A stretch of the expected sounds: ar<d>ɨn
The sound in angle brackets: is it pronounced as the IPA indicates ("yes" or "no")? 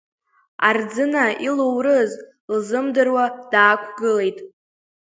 no